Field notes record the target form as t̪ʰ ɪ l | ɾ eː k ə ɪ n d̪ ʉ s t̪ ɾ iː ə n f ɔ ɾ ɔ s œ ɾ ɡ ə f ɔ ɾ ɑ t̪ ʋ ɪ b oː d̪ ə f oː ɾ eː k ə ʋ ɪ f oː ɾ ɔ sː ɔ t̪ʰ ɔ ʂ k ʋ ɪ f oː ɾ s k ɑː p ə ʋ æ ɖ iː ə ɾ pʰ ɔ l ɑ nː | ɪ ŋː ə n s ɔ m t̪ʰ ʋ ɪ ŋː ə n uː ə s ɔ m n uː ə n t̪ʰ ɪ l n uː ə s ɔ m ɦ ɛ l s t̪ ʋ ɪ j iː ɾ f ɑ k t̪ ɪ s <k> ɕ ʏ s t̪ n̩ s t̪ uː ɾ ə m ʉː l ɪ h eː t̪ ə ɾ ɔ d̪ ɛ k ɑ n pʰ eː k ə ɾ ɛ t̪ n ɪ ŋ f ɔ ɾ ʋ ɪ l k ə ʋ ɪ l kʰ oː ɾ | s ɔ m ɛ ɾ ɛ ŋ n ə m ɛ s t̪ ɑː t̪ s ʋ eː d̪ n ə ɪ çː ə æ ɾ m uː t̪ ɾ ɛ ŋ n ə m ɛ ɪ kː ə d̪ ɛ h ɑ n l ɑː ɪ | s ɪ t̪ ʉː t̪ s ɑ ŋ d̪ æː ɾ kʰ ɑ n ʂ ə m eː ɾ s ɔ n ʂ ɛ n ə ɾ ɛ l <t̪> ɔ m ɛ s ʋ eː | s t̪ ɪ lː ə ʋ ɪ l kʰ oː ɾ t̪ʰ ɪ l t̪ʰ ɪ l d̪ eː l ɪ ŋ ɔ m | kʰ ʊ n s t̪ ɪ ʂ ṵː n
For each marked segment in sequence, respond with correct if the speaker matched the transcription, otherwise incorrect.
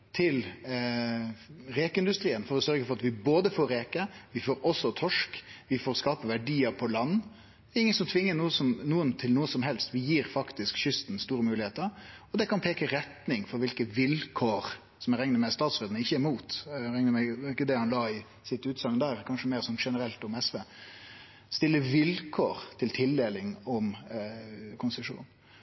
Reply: correct, correct

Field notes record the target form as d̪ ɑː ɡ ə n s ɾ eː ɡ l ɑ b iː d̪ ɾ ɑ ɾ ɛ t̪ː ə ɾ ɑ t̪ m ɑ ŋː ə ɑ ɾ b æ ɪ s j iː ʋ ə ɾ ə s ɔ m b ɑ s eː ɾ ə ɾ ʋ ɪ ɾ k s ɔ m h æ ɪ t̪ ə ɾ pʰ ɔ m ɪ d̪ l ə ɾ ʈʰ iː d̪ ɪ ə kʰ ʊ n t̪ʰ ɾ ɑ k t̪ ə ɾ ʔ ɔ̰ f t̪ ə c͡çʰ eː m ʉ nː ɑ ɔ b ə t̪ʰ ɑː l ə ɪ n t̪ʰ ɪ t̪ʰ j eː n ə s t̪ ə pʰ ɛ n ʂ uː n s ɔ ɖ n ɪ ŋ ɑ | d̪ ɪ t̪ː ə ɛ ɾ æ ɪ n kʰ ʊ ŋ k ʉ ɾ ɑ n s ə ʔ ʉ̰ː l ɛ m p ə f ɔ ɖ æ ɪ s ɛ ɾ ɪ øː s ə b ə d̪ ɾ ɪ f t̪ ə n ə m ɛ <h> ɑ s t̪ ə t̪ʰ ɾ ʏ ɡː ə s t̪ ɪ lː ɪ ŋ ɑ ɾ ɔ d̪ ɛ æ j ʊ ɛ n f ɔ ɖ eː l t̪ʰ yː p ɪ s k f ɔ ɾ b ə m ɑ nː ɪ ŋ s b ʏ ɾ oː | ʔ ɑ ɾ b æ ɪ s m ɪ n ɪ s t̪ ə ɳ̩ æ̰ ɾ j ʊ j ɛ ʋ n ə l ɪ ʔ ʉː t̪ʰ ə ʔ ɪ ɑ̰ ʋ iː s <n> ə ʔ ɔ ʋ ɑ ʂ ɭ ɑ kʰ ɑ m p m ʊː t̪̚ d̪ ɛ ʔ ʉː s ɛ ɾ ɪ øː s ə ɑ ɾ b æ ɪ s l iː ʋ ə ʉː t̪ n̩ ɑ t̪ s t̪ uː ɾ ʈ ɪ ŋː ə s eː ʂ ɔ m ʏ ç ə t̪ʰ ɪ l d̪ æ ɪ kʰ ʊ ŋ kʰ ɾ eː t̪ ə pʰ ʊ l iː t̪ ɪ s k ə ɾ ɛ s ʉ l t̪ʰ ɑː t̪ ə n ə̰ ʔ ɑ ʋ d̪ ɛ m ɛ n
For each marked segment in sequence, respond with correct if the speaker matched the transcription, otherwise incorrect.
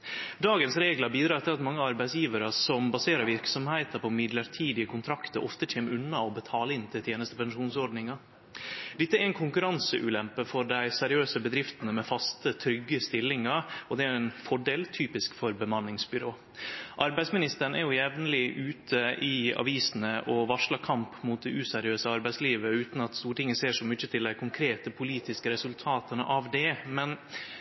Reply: incorrect, correct

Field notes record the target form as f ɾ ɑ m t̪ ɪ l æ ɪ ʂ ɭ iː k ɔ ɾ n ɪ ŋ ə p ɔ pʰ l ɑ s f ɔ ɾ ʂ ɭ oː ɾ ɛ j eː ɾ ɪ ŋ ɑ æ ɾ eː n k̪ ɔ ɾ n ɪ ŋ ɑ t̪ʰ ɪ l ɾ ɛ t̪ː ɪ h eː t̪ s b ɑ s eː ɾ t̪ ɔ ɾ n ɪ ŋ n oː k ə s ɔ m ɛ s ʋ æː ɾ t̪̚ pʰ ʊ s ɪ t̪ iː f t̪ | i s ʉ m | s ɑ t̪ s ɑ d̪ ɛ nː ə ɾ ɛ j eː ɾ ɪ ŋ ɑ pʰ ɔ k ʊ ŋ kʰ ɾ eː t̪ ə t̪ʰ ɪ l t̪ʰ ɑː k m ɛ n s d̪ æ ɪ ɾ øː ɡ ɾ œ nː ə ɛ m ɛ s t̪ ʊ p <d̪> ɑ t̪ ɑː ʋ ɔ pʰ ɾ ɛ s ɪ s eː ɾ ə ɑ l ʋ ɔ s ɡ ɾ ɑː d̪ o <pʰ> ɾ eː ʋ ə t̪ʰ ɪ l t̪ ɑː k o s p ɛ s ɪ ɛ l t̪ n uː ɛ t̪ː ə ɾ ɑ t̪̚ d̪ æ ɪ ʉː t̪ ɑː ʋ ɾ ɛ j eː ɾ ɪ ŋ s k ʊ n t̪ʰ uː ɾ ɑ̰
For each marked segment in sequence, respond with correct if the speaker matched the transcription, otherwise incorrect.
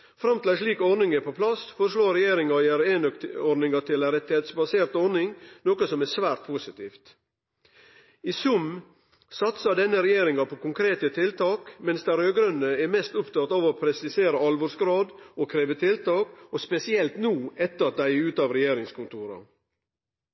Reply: incorrect, incorrect

